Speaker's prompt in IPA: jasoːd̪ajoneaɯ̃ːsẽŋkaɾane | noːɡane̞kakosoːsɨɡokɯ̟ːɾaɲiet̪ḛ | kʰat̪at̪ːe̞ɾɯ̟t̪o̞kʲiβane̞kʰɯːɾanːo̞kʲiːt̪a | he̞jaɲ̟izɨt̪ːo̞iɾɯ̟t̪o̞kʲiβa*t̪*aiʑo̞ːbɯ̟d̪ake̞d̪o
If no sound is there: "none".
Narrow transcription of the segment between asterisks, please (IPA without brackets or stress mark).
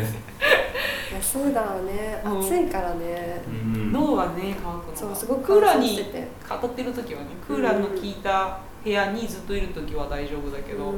d̪